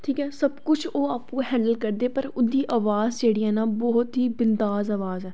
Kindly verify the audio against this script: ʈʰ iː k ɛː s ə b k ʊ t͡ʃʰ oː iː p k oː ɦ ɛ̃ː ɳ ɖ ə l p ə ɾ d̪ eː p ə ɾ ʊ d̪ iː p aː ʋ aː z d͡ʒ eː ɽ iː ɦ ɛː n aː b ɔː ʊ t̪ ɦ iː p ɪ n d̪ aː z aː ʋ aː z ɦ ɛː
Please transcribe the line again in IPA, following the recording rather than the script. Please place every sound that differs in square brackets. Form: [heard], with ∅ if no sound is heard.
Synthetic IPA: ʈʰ iː k ɛː s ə b k ʊ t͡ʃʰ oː [aː] p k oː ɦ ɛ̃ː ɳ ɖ ə l [k] ə ɾ d̪ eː p ə ɾ ʊ d̪ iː [ʔ] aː ʋ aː z d͡ʒ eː ɽ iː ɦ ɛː n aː b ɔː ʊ t̪ ɦ iː [b] ɪ n d̪ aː z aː ʋ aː z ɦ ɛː